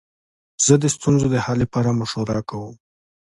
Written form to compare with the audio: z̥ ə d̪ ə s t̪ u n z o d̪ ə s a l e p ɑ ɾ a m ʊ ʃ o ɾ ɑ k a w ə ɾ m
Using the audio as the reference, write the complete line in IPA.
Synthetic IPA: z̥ ə d̪ ə s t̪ u n z o d̪ ə h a l e p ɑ ɾ a m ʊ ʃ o ɾ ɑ k a w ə m